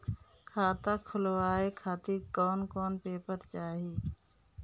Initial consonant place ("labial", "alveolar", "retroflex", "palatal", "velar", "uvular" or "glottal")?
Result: velar